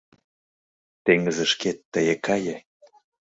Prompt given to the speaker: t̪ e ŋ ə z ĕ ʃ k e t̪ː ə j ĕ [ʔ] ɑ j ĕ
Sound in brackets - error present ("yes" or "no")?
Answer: yes